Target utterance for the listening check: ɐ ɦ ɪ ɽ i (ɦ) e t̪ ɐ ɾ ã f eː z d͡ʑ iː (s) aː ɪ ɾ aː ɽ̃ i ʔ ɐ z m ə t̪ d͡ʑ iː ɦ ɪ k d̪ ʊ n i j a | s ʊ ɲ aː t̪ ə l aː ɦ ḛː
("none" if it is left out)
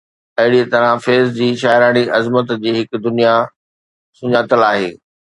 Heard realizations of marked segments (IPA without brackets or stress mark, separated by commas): none, ʃ